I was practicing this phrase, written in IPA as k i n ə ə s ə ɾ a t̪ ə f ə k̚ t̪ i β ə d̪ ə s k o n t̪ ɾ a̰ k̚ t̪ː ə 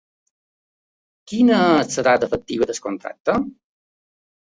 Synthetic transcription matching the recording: k i n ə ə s ə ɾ a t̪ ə f ə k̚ t̪ i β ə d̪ ə s k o n t̪ ɾ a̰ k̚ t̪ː ə

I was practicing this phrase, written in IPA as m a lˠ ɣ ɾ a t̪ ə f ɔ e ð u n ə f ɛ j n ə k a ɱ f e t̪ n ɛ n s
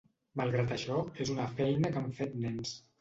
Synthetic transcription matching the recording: m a lˠ ɣ ɾ a t̪ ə ʃ ɔ e z u n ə f ɛ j n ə k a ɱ f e t̪ n ɛ n s

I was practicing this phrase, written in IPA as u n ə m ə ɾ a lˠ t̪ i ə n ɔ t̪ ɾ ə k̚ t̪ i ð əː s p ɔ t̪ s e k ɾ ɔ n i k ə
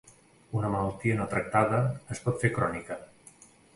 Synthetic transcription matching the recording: u n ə m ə l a lˠ t̪ i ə n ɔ t̪ ɾ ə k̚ t̪ a ð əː s p ɔ t̪ f e k ɾ ɔ n i k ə

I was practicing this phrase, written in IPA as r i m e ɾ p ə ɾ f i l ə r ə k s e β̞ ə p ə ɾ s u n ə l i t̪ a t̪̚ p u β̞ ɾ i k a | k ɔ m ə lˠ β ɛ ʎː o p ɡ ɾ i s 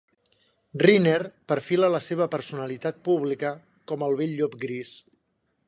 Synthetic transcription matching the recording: r i n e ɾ p ə ɾ f i l ə l ə s e β̞ ə p ə ɾ s u n ə l i t̪ a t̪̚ p u β̞ l i k ə | k ɔ m ə lˠ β e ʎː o p ɡ ɾ i s

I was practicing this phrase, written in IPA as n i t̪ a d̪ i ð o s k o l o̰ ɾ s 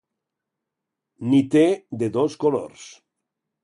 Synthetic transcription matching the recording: n i t̪ e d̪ e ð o s k o l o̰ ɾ s

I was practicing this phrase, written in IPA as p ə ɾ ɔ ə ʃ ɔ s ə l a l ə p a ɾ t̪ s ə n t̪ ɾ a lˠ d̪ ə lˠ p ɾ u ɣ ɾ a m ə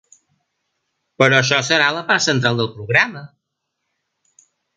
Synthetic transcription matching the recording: p ə ɾ ɔ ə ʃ ɔ s ə ɾ a l ə p a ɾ t̪ s ə n t̪ ɾ a lˠ d̪ ə lˠ p ɾ u ɣ ɾ a m ə

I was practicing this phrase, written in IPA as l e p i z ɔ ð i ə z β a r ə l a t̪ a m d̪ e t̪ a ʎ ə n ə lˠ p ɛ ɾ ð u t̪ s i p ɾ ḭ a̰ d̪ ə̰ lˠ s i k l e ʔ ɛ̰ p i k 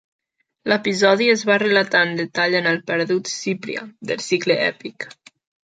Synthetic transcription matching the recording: l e p i z ɔ ð i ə z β a r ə l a t̪ a n d̪ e t̪ a ʎ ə n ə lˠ p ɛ ɾ ð u t̪ s i p ɾ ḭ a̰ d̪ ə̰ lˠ s i k l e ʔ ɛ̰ p i k

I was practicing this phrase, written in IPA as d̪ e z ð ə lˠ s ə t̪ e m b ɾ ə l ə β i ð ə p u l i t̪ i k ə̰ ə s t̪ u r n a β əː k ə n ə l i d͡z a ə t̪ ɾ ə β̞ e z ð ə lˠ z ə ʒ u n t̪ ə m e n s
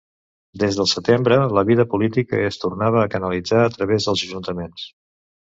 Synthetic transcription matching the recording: d̪ e z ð ə lˠ s ə t̪ e m b ɾ ə l ə β i ð ə p u l i t̪ i k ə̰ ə s t̪ u r n a β əː k ə n ə l i d͡z a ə t̪ ɾ ə β̞ e z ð ə lˠ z ə ʒ u n t̪ ə m e n s

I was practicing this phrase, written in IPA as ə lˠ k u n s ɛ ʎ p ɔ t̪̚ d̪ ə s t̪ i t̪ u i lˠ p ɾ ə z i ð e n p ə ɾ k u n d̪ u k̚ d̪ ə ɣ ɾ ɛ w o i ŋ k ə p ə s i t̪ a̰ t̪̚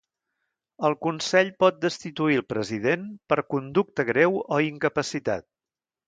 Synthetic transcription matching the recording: ə lˠ k u n s ɛ ʎ p ɔ t̪̚ d̪ ə s t̪ i t̪ u i lˠ p ɾ ə z i ð e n p ə ɾ k u n d̪ u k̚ t̪ ə ɣ ɾ ɛ w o i ŋ k ə p ə s i t̪ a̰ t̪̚

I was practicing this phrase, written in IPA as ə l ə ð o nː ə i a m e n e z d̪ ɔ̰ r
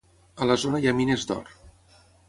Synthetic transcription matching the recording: ə l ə z o n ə j a m i n e z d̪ ɔ̰ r

